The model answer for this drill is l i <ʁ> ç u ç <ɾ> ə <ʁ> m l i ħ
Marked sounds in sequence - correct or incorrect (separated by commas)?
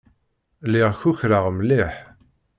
correct, correct, correct